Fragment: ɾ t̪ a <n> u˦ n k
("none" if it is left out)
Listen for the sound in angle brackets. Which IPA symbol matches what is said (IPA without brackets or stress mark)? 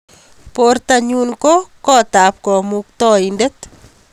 ɲ